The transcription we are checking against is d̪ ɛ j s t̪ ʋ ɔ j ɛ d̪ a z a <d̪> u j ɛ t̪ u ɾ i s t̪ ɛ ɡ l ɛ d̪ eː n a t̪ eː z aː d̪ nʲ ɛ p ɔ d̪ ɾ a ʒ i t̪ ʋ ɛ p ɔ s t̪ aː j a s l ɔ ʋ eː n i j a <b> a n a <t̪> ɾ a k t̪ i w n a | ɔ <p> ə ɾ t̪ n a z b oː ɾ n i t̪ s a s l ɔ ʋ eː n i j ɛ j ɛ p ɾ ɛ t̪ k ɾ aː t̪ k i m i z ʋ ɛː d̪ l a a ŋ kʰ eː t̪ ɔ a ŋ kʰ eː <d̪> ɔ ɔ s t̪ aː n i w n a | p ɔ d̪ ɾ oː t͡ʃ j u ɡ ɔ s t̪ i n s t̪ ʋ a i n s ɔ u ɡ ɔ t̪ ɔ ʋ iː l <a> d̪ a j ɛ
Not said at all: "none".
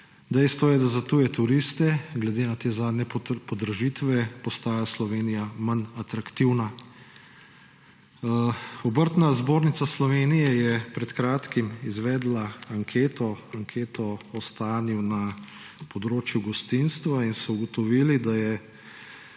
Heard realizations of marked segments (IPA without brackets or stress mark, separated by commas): t̪, m, t̪, b, t̪, i